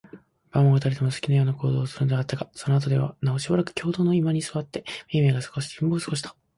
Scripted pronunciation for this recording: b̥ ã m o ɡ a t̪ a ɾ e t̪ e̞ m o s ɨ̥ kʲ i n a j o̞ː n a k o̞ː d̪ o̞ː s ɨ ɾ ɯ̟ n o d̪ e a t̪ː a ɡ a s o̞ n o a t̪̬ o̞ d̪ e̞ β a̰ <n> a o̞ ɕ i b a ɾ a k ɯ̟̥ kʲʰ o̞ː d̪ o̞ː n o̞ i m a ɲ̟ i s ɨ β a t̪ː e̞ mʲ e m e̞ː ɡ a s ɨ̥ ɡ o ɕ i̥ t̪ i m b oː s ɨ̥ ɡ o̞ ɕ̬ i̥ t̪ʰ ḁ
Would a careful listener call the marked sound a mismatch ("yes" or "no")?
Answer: no